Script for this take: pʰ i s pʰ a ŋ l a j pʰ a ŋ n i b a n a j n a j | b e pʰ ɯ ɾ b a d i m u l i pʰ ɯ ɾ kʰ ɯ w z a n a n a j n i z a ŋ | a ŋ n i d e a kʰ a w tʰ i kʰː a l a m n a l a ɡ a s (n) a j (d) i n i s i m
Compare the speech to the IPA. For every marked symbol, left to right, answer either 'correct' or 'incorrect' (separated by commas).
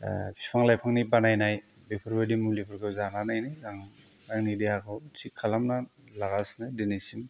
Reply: correct, correct